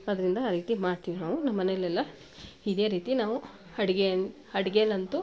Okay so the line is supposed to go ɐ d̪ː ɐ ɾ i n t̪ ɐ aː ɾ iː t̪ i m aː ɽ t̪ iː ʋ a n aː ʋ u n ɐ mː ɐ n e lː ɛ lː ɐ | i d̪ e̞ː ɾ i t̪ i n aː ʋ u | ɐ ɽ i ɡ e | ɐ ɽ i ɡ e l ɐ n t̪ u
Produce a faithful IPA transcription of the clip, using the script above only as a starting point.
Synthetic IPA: ɐ d̪ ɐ ɾ i n d̪ ɐ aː ɾ iː t̪ i m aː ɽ t̪ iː ʋ i n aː ʋ u n ɐ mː ɐ n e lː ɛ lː ɐ | i d̪ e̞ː ɾ iː t̪ i n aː ʋ u | ɐ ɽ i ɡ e | ɐ ɽ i ɡ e l ɐ n t̪ u